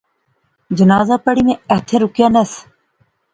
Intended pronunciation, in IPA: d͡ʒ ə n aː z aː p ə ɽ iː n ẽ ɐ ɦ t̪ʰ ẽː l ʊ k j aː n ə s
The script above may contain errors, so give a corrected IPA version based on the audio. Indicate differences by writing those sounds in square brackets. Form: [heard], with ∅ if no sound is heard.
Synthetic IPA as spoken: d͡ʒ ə n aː z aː p ə ɽ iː [m] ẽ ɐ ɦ t̪ʰ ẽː [ɾ] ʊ k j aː n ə s